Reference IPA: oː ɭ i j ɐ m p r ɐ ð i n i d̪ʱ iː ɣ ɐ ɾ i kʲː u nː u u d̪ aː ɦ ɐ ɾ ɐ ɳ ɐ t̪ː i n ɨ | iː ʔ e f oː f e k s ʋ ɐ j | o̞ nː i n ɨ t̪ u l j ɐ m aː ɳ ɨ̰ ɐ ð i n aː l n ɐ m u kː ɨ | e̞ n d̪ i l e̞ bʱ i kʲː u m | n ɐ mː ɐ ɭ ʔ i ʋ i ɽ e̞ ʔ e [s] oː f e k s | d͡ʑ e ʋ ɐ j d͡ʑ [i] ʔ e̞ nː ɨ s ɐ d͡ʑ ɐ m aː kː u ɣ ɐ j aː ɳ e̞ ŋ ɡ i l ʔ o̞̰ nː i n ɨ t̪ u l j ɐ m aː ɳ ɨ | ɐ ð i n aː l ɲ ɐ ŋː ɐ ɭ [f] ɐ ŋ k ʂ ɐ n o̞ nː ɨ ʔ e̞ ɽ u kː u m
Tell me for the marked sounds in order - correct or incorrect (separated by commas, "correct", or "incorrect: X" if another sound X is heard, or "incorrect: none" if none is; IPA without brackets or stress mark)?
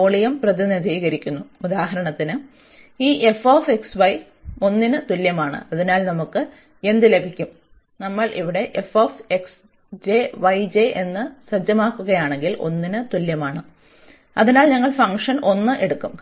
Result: incorrect: f, incorrect: e, correct